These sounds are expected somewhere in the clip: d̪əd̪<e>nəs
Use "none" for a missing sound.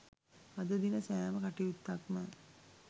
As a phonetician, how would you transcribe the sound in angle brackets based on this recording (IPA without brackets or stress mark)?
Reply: i